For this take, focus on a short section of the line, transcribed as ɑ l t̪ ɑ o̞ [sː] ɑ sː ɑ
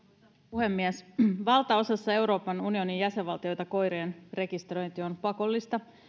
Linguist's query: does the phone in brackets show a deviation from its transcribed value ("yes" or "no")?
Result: yes